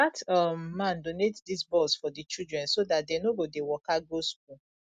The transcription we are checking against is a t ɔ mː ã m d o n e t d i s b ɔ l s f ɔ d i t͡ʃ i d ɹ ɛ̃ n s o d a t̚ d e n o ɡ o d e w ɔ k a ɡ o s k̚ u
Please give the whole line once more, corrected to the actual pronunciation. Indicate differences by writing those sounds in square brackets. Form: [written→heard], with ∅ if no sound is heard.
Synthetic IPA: a t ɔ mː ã [m→n] d o n e t d i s b ɔ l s f ɔ d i t͡ʃ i d ɹ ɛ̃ n s o d a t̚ d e n o ɡ o d e w ɔ k a ɡ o s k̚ u